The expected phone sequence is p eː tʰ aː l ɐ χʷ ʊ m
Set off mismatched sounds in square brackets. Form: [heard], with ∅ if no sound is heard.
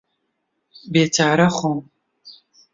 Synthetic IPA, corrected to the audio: [b] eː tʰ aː [ɾ] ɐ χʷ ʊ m